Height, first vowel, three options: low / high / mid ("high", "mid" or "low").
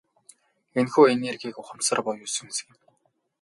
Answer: mid